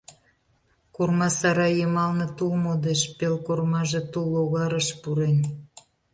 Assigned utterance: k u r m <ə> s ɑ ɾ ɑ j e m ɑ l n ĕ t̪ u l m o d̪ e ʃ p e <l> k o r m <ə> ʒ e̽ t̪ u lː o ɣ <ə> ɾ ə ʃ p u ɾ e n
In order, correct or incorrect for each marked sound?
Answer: incorrect, correct, incorrect, incorrect

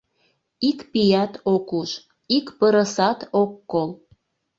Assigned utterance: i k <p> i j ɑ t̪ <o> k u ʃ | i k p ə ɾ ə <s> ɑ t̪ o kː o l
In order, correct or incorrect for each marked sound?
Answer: correct, correct, correct

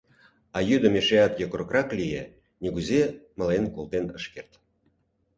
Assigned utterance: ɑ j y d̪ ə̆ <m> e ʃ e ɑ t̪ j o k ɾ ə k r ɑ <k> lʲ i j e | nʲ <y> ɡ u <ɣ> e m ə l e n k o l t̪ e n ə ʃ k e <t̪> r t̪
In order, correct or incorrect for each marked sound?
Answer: correct, correct, incorrect, incorrect, incorrect

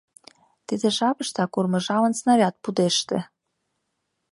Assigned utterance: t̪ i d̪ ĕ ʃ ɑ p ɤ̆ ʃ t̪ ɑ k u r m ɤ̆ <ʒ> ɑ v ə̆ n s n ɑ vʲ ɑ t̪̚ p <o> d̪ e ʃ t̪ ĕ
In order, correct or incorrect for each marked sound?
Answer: correct, incorrect

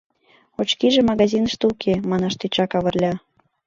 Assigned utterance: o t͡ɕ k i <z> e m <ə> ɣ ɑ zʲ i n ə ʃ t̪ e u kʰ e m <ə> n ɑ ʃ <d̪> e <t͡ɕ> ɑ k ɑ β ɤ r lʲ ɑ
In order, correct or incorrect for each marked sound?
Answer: incorrect, incorrect, incorrect, incorrect, correct

